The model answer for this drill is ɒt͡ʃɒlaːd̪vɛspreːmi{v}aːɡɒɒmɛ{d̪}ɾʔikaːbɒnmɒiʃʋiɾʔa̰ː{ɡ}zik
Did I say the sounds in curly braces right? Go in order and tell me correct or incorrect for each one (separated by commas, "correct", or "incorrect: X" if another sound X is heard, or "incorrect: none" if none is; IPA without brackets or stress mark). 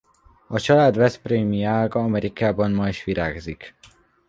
incorrect: none, incorrect: none, correct